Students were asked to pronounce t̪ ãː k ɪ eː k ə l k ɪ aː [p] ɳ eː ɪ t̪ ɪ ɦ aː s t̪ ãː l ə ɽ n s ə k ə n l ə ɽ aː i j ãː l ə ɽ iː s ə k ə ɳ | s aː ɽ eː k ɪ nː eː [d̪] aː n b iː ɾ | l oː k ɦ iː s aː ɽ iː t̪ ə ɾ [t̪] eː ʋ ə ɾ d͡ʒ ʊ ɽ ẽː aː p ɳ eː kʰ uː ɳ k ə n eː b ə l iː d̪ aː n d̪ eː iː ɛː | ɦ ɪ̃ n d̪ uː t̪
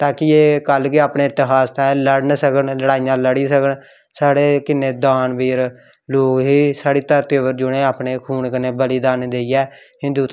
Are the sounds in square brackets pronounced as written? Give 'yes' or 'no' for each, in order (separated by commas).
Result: yes, yes, yes